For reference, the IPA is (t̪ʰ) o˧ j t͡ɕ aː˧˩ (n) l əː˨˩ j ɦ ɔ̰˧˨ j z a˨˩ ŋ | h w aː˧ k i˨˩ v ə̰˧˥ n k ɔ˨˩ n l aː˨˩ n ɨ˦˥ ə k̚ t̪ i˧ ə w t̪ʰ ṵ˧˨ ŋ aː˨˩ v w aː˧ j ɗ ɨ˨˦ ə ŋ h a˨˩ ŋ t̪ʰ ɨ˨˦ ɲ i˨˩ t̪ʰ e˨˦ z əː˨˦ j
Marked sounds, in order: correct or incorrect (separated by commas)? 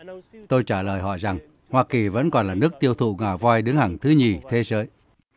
incorrect, incorrect